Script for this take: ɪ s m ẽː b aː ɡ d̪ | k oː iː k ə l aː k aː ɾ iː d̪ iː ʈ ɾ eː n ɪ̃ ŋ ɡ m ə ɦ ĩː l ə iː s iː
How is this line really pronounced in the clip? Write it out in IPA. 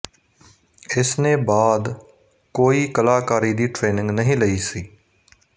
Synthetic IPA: ɪ s n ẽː b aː d̪ | k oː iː k ə l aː k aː ɾ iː d̪ iː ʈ ɾ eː n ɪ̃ ŋ ɡ n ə ɦ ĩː l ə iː s iː